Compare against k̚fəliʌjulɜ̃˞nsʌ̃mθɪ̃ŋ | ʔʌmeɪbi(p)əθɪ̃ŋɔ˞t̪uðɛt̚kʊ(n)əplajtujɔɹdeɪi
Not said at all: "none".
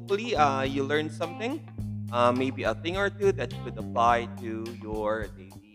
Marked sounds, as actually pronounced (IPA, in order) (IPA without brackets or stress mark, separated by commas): none, d